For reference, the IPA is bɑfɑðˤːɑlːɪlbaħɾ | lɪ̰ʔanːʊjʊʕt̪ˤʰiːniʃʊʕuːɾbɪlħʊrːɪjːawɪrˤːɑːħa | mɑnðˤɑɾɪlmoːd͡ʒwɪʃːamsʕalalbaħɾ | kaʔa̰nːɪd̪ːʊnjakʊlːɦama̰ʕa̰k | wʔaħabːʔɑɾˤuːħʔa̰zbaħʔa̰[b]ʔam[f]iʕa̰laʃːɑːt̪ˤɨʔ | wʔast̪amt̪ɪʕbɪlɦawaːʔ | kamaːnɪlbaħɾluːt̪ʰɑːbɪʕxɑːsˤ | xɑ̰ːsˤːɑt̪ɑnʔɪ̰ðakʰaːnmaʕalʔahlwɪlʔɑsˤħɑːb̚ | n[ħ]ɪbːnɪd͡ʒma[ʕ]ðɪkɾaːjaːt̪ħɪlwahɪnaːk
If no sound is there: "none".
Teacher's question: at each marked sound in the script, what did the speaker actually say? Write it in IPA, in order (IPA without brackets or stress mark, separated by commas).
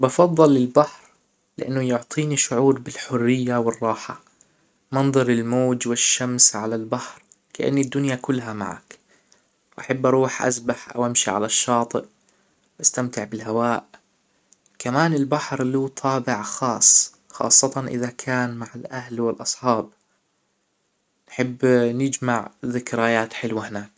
w, ʃ, ħ, ʕ